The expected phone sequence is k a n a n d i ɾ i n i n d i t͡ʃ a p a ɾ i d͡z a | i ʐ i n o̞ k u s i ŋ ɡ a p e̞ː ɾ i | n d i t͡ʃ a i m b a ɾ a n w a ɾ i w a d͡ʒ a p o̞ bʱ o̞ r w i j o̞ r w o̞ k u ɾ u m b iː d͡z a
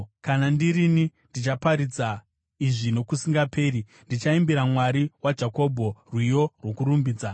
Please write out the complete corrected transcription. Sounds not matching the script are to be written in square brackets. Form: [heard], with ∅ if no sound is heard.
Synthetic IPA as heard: k a n a n d i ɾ i n i n d i t͡ʃ a p a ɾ i d͡z a | i ʐ i n o̞ k u s i ŋ ɡ a p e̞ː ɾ i | n d i t͡ʃ a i m b [i] ɾ a [m] w a ɾ i w a d͡ʒ a [k] o̞ bʱ o̞ r w i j o̞ r w o̞ k u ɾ u m b iː d͡z a